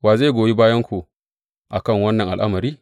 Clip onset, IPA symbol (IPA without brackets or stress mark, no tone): w